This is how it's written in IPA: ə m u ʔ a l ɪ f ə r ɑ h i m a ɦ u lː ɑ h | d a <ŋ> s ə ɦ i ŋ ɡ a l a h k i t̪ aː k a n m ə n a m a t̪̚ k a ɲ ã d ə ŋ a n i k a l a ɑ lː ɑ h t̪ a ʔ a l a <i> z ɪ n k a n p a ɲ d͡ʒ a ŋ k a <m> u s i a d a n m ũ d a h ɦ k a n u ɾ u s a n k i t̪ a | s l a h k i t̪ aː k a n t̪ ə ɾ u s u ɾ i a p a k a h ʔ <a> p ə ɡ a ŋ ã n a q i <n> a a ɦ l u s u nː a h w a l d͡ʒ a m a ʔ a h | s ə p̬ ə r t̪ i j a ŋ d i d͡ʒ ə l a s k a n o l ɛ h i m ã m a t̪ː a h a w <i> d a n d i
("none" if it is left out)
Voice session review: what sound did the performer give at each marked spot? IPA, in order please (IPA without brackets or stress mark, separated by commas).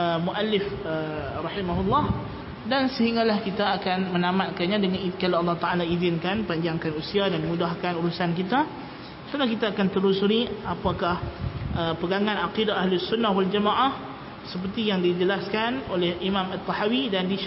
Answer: n, i, n, ə, d, i